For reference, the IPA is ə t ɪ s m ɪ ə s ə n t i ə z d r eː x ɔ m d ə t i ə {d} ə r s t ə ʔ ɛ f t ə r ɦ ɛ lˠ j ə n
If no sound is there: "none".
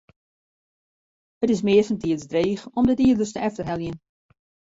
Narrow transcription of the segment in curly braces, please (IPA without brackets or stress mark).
d